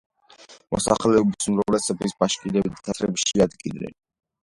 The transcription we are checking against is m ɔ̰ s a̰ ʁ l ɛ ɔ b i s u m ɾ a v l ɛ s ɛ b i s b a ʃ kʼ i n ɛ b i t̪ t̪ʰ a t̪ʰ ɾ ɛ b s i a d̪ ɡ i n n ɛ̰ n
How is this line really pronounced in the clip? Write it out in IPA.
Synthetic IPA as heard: m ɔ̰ s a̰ χ l ɛ ɔ b i s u m ɾ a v l ɛ s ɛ b i s b a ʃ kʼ i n ɛ b i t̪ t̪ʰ a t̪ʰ ɾ ɛ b ʃ i a d̪ ɡ i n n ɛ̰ n